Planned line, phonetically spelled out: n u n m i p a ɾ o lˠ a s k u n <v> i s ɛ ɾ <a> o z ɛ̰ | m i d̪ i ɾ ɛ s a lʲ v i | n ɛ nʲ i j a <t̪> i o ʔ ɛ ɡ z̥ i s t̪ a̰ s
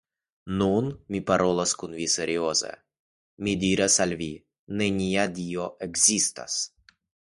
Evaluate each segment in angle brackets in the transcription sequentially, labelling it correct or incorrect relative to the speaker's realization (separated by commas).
correct, incorrect, incorrect